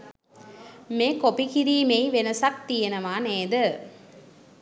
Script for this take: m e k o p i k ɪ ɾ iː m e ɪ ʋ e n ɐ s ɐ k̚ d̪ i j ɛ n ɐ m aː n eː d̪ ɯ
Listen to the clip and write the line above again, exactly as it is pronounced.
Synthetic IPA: m e k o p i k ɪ ɾ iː m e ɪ ʋ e n ɐ s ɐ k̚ t̪ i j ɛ n ɐ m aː n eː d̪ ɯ